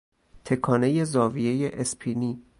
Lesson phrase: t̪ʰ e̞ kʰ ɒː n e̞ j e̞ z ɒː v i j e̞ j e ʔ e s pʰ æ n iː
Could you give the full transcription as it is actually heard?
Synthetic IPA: t̪ʰ e̞ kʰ ɒː n e̞ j e̞ z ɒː v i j e̞ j e ʔ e s pʰ i n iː